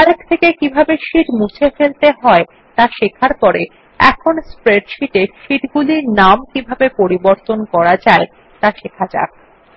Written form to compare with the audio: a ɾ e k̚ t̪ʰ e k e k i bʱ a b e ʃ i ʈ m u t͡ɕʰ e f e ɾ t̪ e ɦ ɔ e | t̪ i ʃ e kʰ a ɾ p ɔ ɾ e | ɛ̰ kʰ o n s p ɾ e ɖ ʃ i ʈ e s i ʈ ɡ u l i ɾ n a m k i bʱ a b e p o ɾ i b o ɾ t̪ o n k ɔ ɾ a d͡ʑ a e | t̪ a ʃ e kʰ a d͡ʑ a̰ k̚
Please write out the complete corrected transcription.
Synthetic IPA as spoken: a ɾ e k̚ t̪ʰ e k e k i bʱ a b e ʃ i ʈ m u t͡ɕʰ e f e l t̪ e ɦ ɔ e | t̪ a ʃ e kʰ a ɾ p ɔ ɾ e | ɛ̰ kʰ o n s p ɾ e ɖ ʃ i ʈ e ʃ i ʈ ɡ u l i ɾ n a m k i bʱ a b e p o ɾ i b o ɾ t̪ o n k ɔ ɾ a d͡ʑ a e | t̪ a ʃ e kʰ a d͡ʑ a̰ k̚